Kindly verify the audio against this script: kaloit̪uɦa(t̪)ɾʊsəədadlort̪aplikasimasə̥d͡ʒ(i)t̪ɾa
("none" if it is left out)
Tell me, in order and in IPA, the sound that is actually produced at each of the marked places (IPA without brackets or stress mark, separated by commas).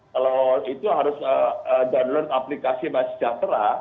none, a